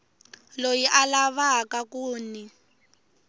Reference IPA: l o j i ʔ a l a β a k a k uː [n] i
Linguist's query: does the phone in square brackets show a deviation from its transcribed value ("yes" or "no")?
no